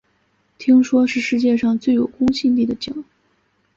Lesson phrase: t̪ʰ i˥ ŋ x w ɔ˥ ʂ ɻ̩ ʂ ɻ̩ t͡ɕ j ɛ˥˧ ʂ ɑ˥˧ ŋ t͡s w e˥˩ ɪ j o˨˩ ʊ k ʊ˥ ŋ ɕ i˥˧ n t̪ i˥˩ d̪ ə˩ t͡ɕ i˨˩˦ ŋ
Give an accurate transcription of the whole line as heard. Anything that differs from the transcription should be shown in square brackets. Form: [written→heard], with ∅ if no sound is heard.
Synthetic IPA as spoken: t̪ʰ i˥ ŋ [x→ʂ] w ɔ˥ ʂ ɻ̩ ʂ ɻ̩ t͡ɕ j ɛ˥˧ ʂ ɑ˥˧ ŋ t͡s w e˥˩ ɪ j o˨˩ ʊ k ʊ˥ ŋ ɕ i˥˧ n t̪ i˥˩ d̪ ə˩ t͡ɕ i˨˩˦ ŋ